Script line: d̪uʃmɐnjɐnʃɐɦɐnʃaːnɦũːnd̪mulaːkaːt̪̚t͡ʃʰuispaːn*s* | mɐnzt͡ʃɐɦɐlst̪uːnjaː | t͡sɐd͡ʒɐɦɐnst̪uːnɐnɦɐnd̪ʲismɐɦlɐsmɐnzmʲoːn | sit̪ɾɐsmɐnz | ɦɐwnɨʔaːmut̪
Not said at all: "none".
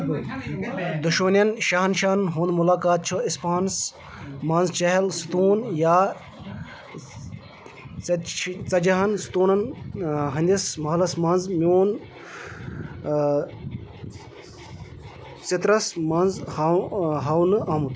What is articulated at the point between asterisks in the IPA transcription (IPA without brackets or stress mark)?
s